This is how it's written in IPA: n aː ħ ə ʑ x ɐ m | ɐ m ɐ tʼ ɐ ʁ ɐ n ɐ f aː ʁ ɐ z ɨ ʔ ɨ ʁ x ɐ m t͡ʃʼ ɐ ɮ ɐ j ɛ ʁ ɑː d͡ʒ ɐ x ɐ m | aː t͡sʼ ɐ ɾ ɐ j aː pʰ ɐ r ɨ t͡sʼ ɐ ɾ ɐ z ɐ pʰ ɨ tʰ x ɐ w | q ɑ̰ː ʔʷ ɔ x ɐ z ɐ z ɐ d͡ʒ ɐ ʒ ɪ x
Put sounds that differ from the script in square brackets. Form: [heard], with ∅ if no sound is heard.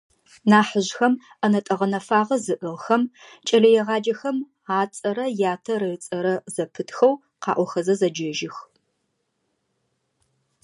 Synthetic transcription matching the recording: n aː ħ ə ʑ x ɐ m | ɐ [n] ɐ tʼ ɐ ʁ ɐ n ɐ f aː ʁ ɐ z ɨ ʔ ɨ ʁ x ɐ m t͡ʃʼ ɐ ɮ ɐ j ɛ ʁ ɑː d͡ʒ ɐ x ɐ m | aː t͡sʼ ɐ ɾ ɐ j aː [tʰ] ɐ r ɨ t͡sʼ ɐ ɾ ɐ z ɐ pʰ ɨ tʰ x ɐ w | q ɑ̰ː ʔʷ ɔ x ɐ z ɐ z ɐ d͡ʒ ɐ ʒ ɪ x